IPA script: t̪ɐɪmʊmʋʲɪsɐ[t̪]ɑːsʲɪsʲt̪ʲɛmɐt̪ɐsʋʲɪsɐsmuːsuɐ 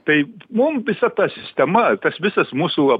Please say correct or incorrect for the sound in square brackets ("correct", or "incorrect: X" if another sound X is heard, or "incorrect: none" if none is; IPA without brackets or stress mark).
correct